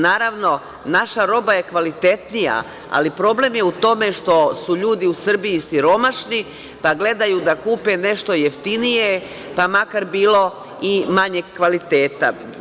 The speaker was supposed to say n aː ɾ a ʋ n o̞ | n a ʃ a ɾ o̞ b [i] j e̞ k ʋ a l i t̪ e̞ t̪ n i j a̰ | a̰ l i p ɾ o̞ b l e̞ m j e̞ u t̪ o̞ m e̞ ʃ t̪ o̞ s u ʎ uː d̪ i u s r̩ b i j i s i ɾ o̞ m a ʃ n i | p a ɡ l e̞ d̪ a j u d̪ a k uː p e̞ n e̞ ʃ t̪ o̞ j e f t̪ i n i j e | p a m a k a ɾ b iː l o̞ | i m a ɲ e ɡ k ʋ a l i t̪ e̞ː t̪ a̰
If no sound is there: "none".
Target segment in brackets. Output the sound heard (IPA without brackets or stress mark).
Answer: a